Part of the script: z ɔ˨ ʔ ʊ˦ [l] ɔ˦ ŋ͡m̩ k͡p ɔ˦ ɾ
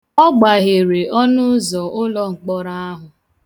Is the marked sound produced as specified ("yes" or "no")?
yes